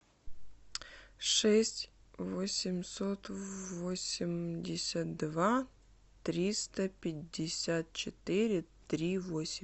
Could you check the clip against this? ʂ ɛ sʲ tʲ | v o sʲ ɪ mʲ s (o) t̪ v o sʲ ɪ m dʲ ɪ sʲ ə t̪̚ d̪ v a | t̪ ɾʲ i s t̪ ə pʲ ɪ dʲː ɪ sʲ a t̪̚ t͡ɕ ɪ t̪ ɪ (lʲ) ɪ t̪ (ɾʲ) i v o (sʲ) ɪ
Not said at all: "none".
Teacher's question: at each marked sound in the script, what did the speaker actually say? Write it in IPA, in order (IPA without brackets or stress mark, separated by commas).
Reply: o, ɾʲ, ɾʲ, sʲ